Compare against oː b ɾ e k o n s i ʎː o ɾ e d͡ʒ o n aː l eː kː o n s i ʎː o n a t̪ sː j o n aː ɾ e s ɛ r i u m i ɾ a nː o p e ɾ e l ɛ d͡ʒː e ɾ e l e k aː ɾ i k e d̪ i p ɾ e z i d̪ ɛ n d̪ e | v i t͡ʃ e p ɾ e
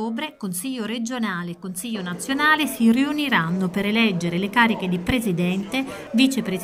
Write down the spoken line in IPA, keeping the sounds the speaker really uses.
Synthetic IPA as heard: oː b ɾ e k o n s i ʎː o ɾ e d͡ʒ o n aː l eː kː o n s i ʎː o n a t̪ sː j o n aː l e s i r i u n i ɾ a nː o p e ɾ e l ɛ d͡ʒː e ɾ e l e k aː ɾ i k e d̪ i p ɾ e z i d̪ ɛ n t̪ e | v i t͡ʃ e p ɾ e

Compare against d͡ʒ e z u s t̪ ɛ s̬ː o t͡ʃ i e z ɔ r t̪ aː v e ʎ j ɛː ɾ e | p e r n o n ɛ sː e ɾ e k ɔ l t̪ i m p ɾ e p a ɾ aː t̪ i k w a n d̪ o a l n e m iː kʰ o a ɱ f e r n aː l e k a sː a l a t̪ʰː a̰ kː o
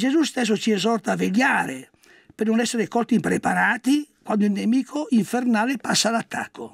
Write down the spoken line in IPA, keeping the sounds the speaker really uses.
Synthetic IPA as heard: d͡ʒ e z u s t̪ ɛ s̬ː o t͡ʃ i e z ɔ r t̪ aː v e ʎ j aː ɾ e | p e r n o n ɛ sː e ɾ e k ɔ l t̪ i m p ɾ e p a ɾ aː t̪ i k w a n d̪ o i l n e m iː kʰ o i ɱ f e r n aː l e p a sː a l a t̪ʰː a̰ kː o

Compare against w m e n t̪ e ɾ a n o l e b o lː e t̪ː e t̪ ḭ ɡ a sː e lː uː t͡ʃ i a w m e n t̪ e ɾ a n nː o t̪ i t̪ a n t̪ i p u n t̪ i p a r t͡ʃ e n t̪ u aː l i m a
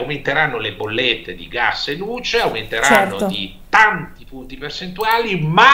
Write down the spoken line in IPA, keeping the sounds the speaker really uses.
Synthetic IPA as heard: w m e n t̪ e ɾ a nː o l e b o lː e t̪ː e d̪ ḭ ɡ a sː e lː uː t͡ʃ e a w m e n t̪ e ɾ a n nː o d̪ i t̪ a n t̪ i p u n t̪ i p e r t͡ʃ e n t̪ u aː l i m a

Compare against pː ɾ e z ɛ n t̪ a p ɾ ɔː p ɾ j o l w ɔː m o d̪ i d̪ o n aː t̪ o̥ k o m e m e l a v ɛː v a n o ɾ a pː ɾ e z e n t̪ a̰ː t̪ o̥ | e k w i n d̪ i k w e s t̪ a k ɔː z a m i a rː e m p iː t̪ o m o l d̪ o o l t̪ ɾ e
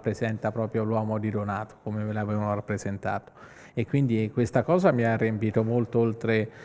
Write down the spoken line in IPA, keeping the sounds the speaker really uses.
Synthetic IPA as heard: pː ɾ e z ɛ n t̪ a p ɾ ɔː p ɾ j o l w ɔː m o d̪ i d̪ o n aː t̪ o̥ k o m e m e l a v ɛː v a n o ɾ a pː ɾ e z e n t̪ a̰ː t̪ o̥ | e k w i n d̪ i k w e s t̪ a k ɔː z a m i a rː e m p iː t̪ o m o l t̪ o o l t̪ ɾ e

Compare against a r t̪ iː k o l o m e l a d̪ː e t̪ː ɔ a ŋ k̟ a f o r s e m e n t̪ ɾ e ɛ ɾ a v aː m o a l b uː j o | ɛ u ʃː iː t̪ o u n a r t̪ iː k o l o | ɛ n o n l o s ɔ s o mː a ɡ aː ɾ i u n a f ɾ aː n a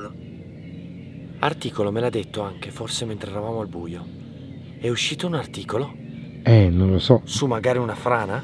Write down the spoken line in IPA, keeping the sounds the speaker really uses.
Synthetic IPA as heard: a r t̪ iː k o l o m e l a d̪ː e t̪ː o a ŋ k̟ e f o r s e m e n t̪ ɾ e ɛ ɾ a v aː m o a l b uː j o | ɛ u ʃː iː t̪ o u n a r t̪ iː k o l o | ɛ n o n l o s ɔ s u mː a ɡ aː ɾ i u n a f ɾ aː n a

